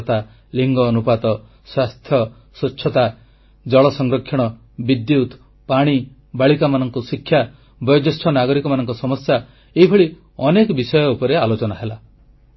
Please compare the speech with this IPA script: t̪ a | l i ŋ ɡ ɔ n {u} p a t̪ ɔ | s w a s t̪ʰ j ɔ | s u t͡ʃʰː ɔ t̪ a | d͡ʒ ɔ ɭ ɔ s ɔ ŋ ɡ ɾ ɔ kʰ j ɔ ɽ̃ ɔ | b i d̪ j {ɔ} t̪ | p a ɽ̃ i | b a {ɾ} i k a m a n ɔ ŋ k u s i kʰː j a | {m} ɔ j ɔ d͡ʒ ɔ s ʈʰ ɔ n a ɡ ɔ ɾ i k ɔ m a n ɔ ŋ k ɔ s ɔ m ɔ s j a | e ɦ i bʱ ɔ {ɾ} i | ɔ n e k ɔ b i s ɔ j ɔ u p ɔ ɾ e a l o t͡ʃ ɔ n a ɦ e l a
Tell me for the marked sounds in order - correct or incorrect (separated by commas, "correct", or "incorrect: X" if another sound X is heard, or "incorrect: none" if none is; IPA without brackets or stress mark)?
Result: correct, incorrect: u, incorrect: ɭ, incorrect: b, incorrect: ɭ